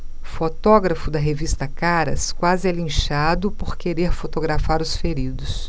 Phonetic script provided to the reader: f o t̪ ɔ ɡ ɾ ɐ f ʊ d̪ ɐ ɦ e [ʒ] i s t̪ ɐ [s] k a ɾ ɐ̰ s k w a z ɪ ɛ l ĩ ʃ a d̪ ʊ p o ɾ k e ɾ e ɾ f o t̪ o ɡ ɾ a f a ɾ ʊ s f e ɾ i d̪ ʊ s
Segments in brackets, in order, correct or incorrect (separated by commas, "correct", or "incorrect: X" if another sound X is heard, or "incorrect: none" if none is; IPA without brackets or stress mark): incorrect: v, incorrect: none